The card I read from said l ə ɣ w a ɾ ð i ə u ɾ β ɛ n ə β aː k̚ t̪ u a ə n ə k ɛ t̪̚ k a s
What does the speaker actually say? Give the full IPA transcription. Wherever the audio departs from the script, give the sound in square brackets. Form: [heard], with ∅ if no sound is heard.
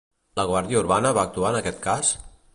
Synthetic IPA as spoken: l ə ɣ w a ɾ ð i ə u ɾ β [a] n ə β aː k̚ t̪ u a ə n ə k ɛ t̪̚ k a s